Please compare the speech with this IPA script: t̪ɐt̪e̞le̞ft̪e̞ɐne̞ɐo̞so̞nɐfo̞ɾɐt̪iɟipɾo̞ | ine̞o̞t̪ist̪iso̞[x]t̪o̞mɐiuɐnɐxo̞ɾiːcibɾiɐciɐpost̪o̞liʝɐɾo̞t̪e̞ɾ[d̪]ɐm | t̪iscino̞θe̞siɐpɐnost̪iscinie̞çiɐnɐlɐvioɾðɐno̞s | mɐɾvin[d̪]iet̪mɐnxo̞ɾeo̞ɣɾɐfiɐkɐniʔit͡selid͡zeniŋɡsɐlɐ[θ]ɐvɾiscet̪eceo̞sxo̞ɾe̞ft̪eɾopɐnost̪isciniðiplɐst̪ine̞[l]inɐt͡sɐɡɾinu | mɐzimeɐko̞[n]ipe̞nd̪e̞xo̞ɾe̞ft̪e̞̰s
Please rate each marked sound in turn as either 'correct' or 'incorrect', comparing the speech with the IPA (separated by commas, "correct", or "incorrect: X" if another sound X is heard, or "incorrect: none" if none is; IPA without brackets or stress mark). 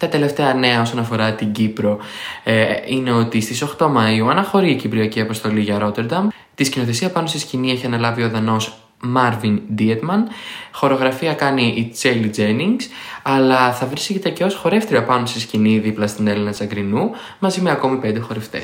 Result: correct, correct, correct, correct, correct, incorrect: m